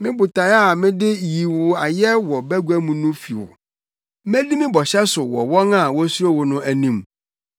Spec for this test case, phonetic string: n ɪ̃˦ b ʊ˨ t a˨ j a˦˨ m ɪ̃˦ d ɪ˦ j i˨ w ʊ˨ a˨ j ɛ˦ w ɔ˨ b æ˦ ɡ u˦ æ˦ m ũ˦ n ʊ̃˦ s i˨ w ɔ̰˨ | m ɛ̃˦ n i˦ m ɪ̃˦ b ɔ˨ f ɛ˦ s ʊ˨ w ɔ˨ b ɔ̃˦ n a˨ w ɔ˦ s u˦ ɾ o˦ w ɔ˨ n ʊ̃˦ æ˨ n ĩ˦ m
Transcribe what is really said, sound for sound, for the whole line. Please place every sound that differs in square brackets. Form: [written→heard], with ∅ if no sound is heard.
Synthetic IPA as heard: [n→m] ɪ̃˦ b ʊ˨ t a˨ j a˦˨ m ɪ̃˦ d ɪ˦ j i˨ w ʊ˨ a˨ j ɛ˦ w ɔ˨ b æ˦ ɡ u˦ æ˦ m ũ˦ n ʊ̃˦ [s→f] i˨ w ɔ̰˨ | m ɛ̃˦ [n→d] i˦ m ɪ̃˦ b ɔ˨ [f→ɕ] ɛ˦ s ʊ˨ w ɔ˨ [b→w] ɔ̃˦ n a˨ w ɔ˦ s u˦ ɾ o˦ w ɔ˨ n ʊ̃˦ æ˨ n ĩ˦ m

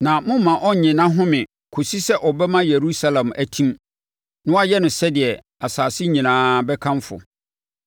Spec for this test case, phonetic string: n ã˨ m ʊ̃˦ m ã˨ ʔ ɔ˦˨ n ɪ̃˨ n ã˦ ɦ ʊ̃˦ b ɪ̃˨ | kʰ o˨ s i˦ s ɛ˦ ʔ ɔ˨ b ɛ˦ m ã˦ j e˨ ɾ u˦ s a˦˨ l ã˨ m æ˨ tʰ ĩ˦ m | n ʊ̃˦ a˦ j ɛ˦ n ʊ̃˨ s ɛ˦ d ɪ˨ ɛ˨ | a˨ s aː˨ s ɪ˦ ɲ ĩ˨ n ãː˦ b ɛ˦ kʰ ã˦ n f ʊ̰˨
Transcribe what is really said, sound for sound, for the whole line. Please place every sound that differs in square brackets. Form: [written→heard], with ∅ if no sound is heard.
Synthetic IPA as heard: n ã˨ m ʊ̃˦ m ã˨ ʔ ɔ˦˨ [n→ɲ] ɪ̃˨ n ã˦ ɦ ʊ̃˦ [b→m] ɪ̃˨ | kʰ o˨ s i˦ s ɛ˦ ʔ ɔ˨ b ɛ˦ m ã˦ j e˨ ɾ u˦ s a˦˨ l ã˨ m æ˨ tʰ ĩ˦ m | n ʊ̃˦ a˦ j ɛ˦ n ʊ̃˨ s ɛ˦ d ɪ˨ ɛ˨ | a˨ s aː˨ s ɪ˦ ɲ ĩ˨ n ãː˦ b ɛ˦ kʰ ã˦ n f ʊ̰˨

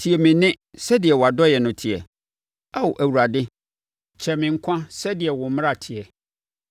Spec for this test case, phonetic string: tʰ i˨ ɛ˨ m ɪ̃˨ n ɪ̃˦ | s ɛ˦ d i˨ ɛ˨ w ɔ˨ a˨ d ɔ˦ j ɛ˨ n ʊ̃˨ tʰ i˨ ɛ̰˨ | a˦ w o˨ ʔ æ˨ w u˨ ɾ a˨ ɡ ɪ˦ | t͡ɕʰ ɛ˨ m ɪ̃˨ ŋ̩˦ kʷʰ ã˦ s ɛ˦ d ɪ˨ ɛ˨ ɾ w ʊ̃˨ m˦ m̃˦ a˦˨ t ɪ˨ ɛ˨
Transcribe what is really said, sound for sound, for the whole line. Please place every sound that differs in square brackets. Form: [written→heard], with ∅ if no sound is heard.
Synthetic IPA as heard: tʰ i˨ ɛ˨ m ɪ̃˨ n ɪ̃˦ | s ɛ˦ d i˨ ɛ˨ w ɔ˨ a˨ d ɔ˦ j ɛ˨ n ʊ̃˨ tʰ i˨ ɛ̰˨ | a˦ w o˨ ʔ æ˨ w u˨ ɾ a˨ [ɡ→d] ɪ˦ | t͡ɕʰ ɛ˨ m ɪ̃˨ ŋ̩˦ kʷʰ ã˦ s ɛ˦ d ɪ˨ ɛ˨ [ɾ→∅] w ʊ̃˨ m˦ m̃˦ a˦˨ [t→tʰ] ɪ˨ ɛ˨

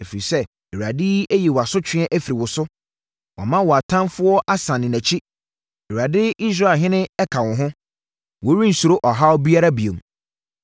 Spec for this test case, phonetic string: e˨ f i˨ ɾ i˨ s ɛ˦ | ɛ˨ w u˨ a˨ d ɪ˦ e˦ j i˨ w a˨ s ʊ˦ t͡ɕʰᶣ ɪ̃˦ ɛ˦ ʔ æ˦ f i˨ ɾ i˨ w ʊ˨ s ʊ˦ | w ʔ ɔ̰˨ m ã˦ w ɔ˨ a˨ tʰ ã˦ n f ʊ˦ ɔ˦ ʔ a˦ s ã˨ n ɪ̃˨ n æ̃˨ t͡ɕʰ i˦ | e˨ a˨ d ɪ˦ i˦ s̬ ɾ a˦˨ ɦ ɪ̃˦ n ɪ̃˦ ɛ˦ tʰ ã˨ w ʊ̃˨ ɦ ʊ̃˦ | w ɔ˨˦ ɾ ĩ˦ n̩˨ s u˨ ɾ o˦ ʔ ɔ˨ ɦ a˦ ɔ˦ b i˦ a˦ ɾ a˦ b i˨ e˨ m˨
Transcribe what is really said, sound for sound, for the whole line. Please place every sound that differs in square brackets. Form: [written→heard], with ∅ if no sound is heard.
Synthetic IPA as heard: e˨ f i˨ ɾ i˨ s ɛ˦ | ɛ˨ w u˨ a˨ d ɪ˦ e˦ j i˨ w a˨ s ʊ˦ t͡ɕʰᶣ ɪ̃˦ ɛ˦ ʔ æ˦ f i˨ ɾ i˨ w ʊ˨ s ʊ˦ | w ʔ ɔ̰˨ m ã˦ w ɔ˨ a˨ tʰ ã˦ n f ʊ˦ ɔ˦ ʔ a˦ s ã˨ n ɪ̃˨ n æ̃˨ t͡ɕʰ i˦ | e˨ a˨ d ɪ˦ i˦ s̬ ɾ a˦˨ ɦ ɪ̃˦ n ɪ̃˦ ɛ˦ [tʰ→kʰ] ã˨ w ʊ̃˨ ɦ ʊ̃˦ | w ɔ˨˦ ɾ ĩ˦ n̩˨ s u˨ ɾ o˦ ʔ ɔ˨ ɦ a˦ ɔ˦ b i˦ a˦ ɾ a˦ b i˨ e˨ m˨

